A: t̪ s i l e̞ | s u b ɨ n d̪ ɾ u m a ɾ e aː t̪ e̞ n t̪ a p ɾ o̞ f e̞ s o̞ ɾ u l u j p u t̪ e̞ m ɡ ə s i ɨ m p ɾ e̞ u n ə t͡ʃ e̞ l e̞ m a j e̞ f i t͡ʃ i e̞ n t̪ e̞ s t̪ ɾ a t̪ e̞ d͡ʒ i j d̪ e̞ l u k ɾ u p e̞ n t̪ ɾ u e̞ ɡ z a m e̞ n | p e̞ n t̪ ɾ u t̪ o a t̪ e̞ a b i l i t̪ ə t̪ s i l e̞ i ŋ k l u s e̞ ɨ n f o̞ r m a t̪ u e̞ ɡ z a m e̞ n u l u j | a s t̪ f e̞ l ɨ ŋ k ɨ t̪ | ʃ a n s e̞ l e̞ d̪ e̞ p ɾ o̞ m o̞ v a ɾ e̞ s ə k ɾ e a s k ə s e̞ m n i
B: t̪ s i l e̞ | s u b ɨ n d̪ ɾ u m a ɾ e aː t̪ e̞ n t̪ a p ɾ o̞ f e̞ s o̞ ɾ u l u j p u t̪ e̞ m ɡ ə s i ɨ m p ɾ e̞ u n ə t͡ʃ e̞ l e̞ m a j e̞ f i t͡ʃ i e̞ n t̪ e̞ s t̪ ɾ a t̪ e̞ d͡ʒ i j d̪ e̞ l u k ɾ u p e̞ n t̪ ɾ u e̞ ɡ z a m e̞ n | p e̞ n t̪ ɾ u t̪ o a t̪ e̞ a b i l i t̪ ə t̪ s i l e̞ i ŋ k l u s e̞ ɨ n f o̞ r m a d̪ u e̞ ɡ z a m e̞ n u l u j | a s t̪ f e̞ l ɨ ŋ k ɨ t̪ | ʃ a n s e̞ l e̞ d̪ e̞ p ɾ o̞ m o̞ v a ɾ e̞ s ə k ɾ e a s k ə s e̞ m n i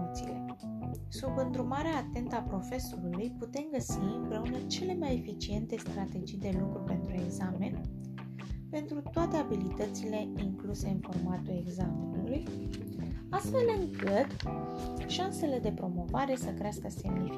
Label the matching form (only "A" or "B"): A